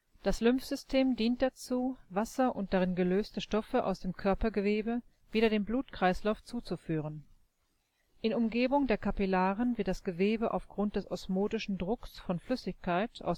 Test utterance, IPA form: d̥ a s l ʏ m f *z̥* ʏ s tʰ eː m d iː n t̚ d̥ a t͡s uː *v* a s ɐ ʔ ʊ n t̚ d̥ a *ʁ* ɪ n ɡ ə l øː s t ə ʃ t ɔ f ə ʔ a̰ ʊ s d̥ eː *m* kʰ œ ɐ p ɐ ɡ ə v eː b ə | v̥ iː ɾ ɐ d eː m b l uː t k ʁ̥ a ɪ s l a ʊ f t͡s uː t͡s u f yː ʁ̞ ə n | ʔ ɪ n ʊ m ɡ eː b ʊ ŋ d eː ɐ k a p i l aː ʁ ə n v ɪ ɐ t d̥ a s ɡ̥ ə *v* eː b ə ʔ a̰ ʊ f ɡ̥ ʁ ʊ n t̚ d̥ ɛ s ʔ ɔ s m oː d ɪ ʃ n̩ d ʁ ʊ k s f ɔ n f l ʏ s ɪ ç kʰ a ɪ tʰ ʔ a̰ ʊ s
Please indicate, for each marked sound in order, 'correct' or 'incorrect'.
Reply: correct, correct, correct, correct, correct

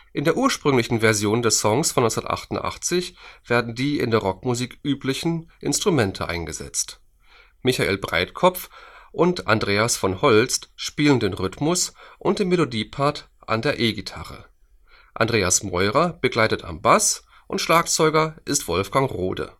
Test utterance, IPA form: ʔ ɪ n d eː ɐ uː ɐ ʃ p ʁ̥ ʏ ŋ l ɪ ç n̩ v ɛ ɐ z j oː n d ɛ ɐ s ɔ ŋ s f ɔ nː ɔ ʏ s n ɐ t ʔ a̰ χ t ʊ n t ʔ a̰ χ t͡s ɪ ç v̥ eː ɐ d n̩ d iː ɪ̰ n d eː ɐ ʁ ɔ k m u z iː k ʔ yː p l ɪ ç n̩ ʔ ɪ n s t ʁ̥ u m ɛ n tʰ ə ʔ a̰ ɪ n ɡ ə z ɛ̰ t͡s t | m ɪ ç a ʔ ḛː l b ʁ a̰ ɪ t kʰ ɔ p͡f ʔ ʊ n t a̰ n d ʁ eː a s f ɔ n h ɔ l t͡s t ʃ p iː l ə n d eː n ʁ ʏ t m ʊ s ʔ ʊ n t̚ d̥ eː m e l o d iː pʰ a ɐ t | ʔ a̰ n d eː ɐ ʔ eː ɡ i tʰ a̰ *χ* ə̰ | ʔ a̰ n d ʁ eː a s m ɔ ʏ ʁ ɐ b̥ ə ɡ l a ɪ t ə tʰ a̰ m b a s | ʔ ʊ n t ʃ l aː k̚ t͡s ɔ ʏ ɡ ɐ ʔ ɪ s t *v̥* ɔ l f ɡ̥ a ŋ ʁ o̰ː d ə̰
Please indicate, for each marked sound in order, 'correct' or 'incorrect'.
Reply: incorrect: ʁ, correct

